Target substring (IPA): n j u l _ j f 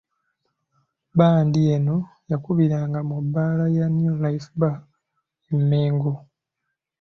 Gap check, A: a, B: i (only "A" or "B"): A